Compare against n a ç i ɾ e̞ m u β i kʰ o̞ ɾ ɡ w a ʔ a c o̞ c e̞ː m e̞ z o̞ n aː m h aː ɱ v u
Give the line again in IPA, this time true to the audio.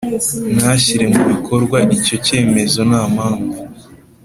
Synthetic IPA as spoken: n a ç i ɾ e̞ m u β i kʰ o̞ ɾ ɡ w a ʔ i c o̞ c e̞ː m e̞ z o̞ n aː m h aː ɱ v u